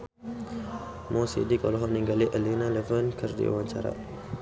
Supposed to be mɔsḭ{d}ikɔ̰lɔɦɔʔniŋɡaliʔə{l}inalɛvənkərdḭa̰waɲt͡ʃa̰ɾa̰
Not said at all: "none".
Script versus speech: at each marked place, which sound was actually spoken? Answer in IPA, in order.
d, l

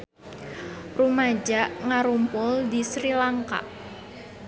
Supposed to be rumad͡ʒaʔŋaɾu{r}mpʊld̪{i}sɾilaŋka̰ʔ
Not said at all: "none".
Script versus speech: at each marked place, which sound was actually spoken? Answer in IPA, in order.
none, i

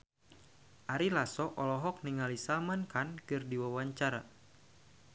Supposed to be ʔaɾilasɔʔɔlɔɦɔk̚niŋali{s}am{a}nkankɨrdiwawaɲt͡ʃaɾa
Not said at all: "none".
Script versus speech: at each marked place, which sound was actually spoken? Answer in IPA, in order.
s, a

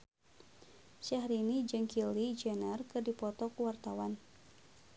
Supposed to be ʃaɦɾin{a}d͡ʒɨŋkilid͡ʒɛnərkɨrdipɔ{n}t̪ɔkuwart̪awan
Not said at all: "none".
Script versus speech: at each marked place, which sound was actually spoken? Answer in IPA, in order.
i, none

